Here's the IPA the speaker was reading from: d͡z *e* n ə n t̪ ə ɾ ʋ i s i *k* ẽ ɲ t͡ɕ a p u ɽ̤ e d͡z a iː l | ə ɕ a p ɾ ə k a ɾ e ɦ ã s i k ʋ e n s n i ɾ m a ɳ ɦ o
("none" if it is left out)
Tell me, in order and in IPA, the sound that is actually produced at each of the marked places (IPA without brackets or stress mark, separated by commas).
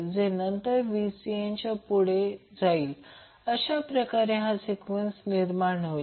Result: e, none